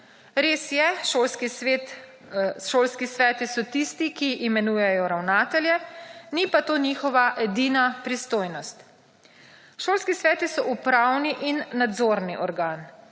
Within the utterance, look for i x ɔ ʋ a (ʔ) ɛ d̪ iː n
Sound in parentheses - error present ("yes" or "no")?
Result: no